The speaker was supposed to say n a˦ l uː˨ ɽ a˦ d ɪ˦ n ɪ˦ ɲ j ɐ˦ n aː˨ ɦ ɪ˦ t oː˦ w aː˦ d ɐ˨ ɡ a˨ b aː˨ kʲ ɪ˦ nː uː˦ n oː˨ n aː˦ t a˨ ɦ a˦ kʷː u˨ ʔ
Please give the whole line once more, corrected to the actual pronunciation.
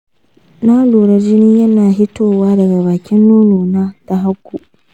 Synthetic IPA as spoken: n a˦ l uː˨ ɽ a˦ d͡ʒ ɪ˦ n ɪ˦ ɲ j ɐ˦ n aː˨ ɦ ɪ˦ t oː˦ w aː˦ d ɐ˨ ɡ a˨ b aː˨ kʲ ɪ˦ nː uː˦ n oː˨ n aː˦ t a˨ ɦ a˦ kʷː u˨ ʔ